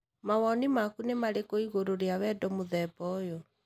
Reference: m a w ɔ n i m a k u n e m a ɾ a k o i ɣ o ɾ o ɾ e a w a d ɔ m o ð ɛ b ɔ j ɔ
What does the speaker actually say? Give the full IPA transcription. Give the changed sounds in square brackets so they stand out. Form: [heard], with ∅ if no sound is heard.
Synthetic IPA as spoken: m a w ɔ n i m a k u n e m a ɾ [e] k o i ɣ o ɾ o ɾ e a w [ɛ] d ɔ m o ð ɛ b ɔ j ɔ